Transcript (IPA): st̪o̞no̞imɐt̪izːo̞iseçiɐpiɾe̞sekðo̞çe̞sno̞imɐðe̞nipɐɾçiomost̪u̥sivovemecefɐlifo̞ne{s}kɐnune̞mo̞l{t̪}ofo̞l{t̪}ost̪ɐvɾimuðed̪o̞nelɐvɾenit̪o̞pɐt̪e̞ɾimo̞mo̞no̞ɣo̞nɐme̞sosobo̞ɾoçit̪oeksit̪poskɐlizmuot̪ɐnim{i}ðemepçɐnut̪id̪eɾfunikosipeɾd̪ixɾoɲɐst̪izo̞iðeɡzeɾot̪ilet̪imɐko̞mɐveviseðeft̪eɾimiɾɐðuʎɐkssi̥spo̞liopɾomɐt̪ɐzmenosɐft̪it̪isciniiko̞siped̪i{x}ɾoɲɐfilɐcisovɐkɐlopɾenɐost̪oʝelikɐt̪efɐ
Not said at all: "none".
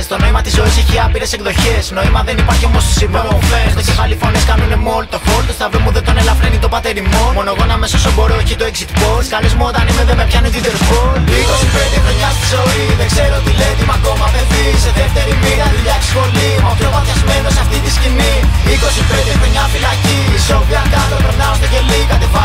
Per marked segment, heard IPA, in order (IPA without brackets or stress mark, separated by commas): s, t̪, t̪, e, x